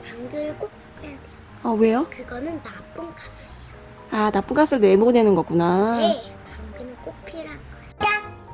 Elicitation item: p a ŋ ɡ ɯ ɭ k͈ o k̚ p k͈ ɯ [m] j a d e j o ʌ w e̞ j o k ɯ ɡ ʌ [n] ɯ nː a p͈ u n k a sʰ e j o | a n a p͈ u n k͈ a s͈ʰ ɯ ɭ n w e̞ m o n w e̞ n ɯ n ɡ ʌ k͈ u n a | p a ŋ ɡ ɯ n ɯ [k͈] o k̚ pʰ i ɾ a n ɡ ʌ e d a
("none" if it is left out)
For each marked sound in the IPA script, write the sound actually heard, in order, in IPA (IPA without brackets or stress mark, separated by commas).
none, n, k͈